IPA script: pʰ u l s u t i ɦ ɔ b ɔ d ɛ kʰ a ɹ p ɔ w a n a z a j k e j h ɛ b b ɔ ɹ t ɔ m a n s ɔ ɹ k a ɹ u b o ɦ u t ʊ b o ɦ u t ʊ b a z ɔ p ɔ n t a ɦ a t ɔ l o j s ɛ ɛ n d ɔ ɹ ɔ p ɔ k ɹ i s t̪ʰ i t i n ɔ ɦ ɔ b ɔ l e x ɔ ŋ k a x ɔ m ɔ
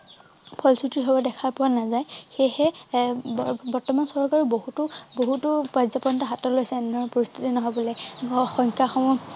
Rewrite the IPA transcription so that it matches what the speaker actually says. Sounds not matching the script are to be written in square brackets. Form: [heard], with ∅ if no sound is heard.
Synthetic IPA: pʰ [ɔ] l s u t i ɦ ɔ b ɔ d ɛ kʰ a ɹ p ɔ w a n a z a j [x] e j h ɛ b b ɔ ɹ t ɔ m a n s ɔ ɹ k a ɹ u b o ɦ u t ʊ b o ɦ u t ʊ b a z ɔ p ɔ n t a ɦ a t ɔ l o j s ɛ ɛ n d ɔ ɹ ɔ p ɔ [∅] ɹ i s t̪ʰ i t i n ɔ ɦ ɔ b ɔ l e x ɔ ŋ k a x ɔ m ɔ

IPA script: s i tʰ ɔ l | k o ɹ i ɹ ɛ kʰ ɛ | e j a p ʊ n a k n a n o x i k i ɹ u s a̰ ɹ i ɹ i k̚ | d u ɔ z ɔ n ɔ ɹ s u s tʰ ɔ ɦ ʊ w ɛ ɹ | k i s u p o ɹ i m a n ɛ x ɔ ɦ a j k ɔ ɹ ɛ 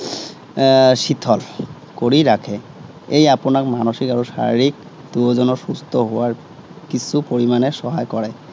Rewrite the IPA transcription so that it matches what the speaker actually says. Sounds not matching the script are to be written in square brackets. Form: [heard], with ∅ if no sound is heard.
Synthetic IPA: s i tʰ ɔ l | k o ɹ i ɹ [a] kʰ ɛ | e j a p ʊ n a k [m] a n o x i k [a] ɹ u s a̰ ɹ i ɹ i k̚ | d u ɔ z ɔ n ɔ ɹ s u s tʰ ɔ ɦ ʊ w [a] ɹ | k i s u p o ɹ i m a n ɛ [s] ɔ ɦ a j k ɔ ɹ ɛ

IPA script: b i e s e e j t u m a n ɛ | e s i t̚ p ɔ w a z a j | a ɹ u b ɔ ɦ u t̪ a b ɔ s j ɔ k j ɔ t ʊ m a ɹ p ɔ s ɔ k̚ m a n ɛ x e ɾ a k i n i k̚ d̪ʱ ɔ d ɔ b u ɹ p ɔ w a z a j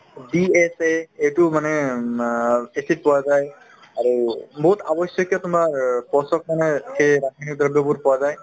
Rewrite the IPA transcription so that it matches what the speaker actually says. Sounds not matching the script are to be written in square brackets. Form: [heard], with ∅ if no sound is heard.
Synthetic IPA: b i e s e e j t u m a n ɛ | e s i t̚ p ɔ w a z a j | a ɹ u b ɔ ɦ u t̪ a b ɔ s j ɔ k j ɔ t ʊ m a ɹ p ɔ s ɔ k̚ m a n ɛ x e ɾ a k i n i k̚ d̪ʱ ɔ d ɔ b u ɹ p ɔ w a z a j

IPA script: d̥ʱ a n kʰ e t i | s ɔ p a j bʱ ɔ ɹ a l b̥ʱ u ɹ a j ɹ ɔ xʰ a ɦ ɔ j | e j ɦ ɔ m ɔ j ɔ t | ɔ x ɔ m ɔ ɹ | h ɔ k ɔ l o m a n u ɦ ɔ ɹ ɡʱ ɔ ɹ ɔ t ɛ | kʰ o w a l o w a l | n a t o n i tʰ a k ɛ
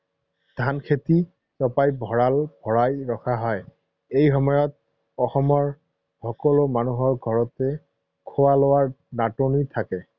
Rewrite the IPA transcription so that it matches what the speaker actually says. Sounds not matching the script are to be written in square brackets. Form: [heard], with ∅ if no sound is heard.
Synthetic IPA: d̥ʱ a n kʰ e t i | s ɔ p a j bʱ ɔ ɹ a l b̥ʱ [ɔ] ɹ a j ɹ ɔ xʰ a ɦ ɔ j | e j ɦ ɔ m ɔ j ɔ t | ɔ x ɔ m ɔ ɹ | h ɔ k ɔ l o m a n u ɦ ɔ ɹ ɡʱ ɔ ɹ ɔ t ɛ | kʰ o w a l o w a [ɹ] | n a t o n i tʰ a k ɛ

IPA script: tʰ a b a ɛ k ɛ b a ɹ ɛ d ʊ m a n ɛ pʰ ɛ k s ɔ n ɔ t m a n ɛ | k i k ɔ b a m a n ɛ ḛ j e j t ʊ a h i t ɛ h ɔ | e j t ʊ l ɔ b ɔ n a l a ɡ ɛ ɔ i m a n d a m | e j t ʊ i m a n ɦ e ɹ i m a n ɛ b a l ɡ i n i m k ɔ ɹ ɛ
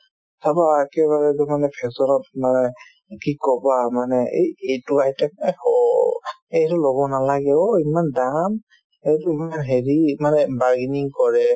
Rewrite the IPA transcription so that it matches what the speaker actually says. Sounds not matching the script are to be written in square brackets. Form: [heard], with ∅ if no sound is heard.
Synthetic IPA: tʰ a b a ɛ k ɛ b a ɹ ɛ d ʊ m a n ɛ pʰ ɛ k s ɔ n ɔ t m a n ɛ | k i k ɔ b a m a n ɛ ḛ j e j t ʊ a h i t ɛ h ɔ | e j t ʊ l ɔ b ɔ n a l a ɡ ɛ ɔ i m a n d a m | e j t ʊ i m a n ɦ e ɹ i m a n ɛ b a [ɹ] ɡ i n i [ŋ] k ɔ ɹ ɛ

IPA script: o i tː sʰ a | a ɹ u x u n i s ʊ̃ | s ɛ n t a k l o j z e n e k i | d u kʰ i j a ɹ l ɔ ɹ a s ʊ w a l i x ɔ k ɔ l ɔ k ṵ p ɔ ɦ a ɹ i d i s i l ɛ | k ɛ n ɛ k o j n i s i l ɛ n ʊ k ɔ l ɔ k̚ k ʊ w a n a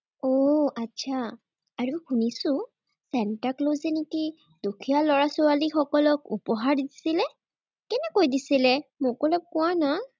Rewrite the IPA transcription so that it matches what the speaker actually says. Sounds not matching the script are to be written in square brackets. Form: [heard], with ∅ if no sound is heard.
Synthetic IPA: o [a] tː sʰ a | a ɹ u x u n i s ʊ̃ | s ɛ n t a k l o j z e n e k i | d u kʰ i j a [∅] l ɔ ɹ a s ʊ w a l i x ɔ k ɔ l ɔ k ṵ p ɔ ɦ a ɹ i d i s i l ɛ | k ɛ n ɛ k o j [d] i s i l ɛ [m] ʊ k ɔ l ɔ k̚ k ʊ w a n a

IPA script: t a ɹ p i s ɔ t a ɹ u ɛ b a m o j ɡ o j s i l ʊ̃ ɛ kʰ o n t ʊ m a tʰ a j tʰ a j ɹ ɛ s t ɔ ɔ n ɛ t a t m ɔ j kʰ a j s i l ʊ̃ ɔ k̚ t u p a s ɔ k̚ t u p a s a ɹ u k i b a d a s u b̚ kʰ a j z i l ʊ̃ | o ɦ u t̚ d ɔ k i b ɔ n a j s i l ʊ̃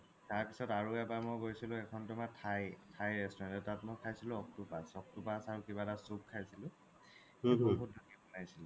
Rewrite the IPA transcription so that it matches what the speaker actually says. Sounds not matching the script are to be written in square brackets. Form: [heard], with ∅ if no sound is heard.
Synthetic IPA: t a ɹ p i s ɔ t a ɹ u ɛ b a m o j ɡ o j s i l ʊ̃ ɛ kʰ [ɔ] n t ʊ m a tʰ a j tʰ a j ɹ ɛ s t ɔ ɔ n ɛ t a t m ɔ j kʰ a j s i l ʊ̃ ɔ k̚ t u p a s ɔ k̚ t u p a s a ɹ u k i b a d a s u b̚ kʰ a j [s] i l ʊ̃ | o ɦ u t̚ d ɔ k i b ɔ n a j s i l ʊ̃

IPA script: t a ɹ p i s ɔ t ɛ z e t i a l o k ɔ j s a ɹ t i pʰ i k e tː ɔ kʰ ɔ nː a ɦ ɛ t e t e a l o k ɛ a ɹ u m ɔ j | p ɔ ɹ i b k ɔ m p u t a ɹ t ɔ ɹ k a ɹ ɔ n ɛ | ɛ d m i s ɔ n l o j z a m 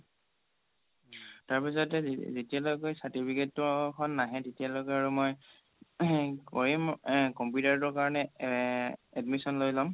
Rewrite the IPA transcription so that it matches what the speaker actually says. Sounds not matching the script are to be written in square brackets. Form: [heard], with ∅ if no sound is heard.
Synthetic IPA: t a ɹ p i s ɔ t ɛ z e t i a l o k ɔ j s a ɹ t i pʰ i k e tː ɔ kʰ ɔ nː a ɦ ɛ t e t [i] a l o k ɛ a ɹ u m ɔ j | [k] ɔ ɹ i [m] k ɔ m p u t a ɹ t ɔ ɹ k a ɹ ɔ n ɛ | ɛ d m i s ɔ n l o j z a m

